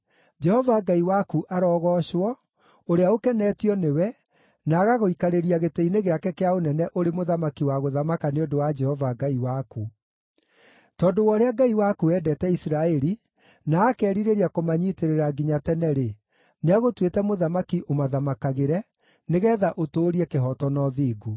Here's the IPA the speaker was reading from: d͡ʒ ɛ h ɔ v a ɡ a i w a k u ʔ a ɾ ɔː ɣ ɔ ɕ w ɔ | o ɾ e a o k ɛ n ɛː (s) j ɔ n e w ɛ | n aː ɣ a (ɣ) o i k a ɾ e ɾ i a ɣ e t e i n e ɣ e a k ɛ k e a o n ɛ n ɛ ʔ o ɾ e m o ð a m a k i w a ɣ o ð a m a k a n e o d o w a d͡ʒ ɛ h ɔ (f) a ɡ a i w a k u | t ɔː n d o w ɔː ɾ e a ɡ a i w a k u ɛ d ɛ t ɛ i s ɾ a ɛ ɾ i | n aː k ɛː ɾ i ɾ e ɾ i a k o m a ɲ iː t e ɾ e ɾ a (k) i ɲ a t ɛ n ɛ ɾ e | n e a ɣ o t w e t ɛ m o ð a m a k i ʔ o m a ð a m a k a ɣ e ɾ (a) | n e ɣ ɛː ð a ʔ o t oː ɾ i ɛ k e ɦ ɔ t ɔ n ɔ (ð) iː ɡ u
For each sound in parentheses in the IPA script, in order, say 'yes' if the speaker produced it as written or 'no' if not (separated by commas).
no, yes, no, no, no, yes